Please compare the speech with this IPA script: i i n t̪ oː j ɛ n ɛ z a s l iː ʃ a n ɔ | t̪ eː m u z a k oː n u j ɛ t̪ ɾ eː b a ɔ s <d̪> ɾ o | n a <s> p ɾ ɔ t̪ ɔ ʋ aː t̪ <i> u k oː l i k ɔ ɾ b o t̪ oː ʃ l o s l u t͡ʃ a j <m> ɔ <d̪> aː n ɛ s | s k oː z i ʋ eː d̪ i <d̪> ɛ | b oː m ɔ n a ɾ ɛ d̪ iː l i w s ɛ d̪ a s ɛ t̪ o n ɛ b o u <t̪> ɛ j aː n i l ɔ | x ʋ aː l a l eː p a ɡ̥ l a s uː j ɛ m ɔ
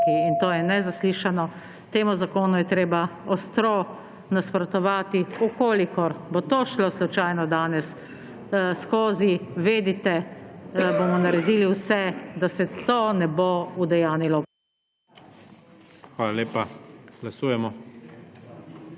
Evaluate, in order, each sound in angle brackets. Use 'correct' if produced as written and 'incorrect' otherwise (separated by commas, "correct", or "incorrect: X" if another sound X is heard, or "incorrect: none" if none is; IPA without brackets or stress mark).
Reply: incorrect: t̪, correct, correct, incorrect: n, correct, incorrect: t̪, incorrect: d̪